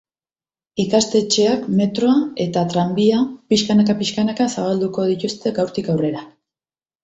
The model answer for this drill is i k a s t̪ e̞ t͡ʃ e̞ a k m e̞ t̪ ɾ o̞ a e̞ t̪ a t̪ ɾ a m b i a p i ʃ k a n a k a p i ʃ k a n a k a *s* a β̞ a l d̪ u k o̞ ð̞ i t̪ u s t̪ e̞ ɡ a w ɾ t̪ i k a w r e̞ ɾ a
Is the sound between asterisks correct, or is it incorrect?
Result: correct